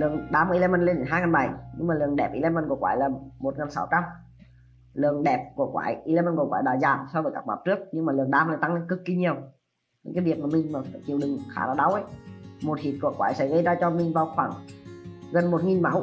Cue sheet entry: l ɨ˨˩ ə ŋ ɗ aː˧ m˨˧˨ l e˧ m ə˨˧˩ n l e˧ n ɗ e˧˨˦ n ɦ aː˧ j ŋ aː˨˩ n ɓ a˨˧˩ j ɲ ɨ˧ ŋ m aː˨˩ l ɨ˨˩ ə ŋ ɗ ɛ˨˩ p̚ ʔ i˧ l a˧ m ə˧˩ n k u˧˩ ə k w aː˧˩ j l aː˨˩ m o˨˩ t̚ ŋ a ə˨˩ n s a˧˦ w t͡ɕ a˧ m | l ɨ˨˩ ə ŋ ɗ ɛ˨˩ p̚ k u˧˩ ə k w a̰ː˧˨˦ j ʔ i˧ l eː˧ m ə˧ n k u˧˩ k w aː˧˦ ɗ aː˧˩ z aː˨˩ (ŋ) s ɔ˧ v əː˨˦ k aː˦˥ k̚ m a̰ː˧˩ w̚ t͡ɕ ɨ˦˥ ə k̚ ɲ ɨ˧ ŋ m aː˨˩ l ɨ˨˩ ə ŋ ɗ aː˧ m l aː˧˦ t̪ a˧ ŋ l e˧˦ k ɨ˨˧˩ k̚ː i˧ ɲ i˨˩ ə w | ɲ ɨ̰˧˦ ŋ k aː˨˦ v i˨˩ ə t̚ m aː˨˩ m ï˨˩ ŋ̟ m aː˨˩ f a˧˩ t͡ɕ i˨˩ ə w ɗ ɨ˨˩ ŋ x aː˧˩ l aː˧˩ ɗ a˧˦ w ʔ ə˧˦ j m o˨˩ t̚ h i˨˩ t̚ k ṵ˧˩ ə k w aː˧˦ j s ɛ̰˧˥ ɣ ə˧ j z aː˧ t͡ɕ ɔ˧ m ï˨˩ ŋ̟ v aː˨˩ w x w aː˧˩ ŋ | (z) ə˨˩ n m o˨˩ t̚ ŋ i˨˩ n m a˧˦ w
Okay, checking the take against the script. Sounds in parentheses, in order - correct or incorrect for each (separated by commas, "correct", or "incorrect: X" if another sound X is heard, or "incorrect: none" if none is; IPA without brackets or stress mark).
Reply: incorrect: m, incorrect: ɣ